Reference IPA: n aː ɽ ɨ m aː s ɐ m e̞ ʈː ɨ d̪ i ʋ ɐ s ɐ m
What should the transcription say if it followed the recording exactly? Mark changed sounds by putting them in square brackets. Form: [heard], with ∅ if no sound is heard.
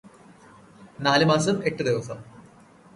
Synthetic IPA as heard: n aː [l] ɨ m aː s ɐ m e̞ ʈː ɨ d̪ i ʋ ɐ s ɐ m